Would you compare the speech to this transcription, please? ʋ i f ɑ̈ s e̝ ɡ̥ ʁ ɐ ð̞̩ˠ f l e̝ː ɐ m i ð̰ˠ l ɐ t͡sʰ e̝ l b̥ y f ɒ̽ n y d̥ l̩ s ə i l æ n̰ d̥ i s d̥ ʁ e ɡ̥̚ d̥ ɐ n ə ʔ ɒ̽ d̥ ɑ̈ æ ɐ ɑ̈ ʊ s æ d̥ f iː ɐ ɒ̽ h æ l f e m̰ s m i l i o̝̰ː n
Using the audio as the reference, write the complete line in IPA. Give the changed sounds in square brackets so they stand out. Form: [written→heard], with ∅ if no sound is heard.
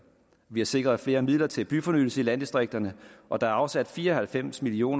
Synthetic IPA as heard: ʋ i [f→h] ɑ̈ s e̝ ɡ̥ ʁ ɐ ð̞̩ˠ f l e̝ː ɐ m i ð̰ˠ l ɐ t͡sʰ e̝ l b̥ y f ɒ̽ n y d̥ l̩ s ə i l æ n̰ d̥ i s d̥ ʁ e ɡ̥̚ d̥ ɐ n ə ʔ ɒ̽ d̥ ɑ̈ æ ɐ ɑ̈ ʊ s æ d̥ f iː ɐ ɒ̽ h æ l f e m̰ s m i l i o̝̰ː n